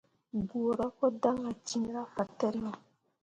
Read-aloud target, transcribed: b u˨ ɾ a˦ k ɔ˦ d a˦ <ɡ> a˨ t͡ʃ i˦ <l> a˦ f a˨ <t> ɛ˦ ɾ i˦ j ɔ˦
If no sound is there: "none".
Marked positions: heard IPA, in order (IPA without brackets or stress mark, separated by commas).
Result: ŋ, ɾ, t